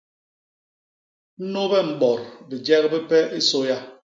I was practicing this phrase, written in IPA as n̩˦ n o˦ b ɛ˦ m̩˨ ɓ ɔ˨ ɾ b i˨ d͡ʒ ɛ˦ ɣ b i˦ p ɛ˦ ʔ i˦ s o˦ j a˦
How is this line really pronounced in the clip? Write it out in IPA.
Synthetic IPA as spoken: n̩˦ n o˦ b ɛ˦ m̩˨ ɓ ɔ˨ ɾ b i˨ d͡ʒ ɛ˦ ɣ b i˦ p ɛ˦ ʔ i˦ s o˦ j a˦